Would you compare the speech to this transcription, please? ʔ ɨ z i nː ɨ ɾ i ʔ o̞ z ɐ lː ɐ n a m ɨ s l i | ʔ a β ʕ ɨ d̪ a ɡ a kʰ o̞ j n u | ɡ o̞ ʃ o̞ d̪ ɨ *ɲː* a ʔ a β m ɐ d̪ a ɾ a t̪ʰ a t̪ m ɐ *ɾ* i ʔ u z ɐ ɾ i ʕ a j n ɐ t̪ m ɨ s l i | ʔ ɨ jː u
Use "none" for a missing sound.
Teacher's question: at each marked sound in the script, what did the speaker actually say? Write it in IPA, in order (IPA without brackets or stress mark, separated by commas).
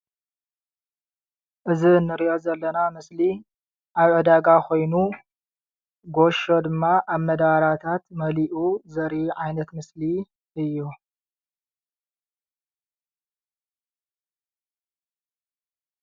mː, l